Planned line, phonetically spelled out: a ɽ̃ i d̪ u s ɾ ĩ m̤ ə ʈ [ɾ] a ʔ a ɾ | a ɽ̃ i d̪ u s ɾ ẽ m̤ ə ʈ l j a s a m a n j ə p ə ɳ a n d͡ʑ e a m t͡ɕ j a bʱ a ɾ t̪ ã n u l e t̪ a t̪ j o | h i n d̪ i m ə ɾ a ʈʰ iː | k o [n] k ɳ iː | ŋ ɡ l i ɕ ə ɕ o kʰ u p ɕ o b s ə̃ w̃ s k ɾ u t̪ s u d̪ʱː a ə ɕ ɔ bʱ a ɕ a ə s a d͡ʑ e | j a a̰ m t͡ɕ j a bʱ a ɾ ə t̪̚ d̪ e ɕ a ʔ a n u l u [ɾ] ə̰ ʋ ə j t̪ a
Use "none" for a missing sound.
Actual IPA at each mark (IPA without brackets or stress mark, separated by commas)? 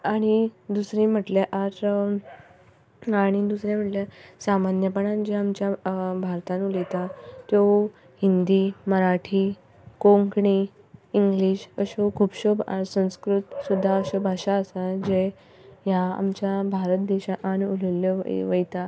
l, ŋ, l